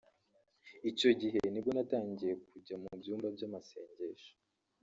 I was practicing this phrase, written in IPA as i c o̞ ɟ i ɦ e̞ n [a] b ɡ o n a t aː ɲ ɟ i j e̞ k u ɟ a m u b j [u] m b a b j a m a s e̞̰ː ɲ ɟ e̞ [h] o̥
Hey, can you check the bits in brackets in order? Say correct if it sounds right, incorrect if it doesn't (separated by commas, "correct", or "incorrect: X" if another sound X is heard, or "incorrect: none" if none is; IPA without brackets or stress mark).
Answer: incorrect: i, incorrect: uː, incorrect: ʃ